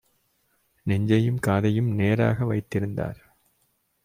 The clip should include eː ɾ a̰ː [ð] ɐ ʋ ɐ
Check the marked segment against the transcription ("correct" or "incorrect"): incorrect